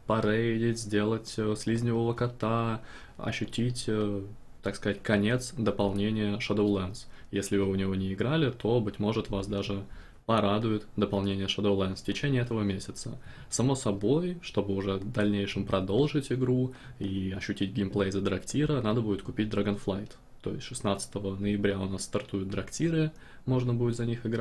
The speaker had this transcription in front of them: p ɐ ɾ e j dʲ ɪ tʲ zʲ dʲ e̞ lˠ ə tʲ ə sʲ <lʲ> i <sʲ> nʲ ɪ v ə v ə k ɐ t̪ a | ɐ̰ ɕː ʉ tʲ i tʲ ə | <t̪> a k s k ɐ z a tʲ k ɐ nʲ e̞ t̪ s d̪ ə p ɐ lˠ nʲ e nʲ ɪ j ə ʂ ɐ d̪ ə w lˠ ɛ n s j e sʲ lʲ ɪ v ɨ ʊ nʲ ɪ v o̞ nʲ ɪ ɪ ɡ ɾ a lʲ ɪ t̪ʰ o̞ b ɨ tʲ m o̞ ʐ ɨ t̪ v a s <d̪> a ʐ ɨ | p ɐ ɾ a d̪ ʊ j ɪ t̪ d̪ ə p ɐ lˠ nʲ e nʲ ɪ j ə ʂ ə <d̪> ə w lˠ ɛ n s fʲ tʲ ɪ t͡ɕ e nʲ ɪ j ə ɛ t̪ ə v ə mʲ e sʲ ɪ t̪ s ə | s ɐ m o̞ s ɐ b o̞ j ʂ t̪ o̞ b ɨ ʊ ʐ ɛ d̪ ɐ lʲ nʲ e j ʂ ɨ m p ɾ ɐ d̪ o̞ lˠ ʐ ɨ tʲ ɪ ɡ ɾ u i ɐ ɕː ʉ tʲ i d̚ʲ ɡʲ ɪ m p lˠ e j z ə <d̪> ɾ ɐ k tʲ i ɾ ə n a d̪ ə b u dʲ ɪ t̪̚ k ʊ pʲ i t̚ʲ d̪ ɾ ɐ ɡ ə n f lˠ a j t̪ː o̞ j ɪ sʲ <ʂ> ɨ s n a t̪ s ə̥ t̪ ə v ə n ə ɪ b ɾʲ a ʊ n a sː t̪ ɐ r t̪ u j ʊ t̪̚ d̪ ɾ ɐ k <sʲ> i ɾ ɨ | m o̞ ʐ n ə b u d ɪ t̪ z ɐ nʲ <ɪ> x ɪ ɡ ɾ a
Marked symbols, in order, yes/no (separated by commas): yes, no, yes, yes, yes, yes, yes, no, no